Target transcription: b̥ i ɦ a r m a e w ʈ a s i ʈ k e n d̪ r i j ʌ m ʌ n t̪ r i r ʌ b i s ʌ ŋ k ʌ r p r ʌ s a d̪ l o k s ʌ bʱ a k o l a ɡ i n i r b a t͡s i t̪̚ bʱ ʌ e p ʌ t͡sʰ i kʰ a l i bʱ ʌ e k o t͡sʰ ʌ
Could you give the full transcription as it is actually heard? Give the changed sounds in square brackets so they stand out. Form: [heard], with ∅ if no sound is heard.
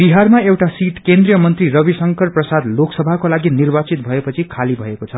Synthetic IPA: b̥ i ɦ a r m a e w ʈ a s i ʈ k e n d̪ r i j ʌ m ʌ n t̪ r i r ʌ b i s ʌ ŋ k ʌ r p r ʌ s a d̪ l o k s ʌ bʱ a k o l a ɡ i n i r b a t͡s i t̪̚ bʱ ʌ e p ʌ t͡sʰ i kʰ a l i bʱ ʌ e k o t͡sʰ ʌ